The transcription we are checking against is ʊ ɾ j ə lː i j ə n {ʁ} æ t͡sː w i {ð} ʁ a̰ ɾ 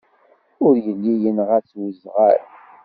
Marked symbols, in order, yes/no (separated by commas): yes, no